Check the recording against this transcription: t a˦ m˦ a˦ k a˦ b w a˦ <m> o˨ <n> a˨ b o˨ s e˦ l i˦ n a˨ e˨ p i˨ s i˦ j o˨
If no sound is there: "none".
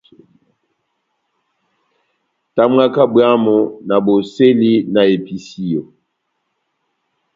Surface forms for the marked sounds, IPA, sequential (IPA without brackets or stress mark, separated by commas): m, n